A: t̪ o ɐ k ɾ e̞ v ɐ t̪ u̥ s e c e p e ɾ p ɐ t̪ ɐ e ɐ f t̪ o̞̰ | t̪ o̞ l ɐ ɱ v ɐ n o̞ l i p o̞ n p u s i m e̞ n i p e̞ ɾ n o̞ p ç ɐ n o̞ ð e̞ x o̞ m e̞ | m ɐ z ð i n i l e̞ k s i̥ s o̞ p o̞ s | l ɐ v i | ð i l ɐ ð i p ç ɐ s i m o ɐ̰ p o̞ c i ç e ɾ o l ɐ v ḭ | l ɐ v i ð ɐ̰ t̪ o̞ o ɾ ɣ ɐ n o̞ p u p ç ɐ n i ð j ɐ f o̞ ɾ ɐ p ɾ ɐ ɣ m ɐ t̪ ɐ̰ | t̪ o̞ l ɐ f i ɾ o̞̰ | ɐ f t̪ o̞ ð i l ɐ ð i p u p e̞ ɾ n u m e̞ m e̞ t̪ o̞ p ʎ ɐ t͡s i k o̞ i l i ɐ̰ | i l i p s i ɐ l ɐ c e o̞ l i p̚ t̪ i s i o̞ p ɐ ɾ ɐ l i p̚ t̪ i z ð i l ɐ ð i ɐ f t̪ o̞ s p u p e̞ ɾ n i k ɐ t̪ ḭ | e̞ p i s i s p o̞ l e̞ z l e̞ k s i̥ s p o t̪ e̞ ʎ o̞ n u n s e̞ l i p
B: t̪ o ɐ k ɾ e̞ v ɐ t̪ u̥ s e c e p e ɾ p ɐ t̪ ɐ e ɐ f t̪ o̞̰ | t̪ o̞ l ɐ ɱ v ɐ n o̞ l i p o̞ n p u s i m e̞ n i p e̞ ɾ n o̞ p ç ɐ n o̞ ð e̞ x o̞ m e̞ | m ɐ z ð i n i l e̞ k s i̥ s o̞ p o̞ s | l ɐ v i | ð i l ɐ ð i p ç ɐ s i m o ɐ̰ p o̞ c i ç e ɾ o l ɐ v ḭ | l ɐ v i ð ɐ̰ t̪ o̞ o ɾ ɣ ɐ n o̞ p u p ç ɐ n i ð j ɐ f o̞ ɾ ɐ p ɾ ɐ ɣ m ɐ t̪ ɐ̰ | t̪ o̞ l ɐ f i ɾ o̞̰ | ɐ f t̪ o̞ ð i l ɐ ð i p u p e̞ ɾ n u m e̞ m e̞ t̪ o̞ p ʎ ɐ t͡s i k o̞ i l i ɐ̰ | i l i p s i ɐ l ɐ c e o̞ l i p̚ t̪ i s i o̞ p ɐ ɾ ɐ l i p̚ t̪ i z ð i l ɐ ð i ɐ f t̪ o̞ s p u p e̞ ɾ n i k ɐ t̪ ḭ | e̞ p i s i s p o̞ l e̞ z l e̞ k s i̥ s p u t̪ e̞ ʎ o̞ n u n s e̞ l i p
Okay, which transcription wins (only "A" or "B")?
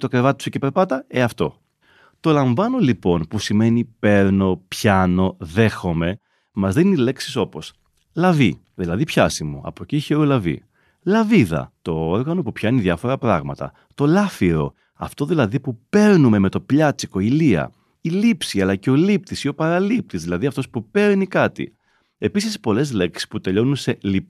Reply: B